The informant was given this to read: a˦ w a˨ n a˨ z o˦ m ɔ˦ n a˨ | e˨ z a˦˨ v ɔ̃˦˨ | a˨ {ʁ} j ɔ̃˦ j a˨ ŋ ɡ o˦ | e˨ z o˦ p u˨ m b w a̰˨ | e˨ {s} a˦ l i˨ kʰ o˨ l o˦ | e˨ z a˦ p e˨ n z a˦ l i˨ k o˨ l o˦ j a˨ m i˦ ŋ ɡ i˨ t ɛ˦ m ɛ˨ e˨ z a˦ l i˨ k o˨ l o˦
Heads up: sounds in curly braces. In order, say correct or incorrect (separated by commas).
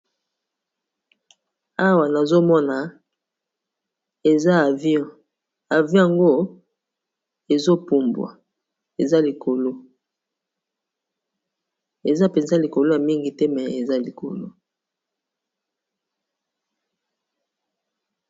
incorrect, incorrect